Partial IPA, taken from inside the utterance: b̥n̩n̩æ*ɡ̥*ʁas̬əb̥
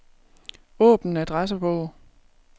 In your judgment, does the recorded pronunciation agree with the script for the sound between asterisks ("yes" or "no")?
no